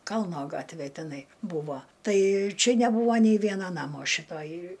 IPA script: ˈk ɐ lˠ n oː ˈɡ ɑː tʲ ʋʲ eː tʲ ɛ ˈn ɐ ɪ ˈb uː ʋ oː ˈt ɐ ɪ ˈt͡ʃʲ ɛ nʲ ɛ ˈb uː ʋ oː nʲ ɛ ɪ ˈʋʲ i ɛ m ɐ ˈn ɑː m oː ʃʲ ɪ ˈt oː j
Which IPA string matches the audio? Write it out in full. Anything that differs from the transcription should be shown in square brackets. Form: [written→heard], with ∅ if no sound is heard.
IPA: ˈk ɐ lˠ n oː ˈɡ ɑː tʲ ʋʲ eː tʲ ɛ ˈn ɐ ɪ ˈb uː ʋ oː ˈt ɐ ɪ ˈt͡ʃʲ ɛ nʲ ɛ ˈb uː ʋ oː nʲ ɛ ɪ ˈʋʲ i ɛ [m→n] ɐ ˈn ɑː m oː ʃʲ ɪ ˈt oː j